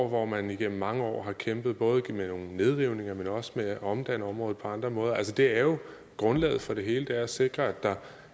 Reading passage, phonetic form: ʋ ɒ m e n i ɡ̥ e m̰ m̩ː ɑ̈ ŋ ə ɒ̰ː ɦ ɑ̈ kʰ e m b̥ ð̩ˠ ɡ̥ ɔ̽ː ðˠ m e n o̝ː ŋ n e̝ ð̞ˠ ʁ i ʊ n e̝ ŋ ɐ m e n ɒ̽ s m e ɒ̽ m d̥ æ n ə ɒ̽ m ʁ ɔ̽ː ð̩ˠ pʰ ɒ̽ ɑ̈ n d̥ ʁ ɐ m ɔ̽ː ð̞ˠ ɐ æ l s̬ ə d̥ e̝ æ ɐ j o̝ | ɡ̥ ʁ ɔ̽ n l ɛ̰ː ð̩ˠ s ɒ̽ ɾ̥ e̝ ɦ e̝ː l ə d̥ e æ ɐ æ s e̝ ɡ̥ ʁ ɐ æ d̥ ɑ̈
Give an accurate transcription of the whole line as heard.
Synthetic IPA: ʋ ɒ m æ n i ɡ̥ e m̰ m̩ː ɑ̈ ŋ ə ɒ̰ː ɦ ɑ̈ kʰ e m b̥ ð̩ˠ b̥ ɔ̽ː ðˠ m e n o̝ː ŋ n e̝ ð̞ˠ ʁ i ʊ n e̝ ŋ ɐ m e n ɒ̽ s m e ɒ̽ m d̥ æ n ə ɒ̽ m ʁ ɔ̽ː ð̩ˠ pʰ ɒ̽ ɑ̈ n d̥ ʁ ɐ m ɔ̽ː ð̞ˠ ɐ æ l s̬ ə d̥ e̝ æ ɐ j o̝ | ɡ̥ ʁ ɔ̽ n l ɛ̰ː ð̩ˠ f ɒ̽ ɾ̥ e̝ ɦ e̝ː l ə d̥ e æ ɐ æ s e̝ ɡ̥ ʁ ɐ æ d̥ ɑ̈